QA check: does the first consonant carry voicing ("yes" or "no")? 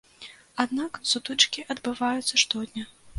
yes